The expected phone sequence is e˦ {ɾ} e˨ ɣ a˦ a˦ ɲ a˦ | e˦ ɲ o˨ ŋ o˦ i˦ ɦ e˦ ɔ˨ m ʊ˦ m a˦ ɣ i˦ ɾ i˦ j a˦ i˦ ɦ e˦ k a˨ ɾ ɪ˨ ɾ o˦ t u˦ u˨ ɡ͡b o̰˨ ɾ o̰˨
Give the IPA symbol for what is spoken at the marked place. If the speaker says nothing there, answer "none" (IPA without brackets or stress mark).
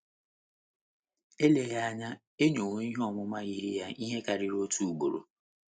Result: l